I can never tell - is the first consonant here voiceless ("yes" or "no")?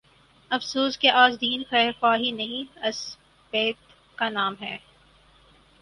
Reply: yes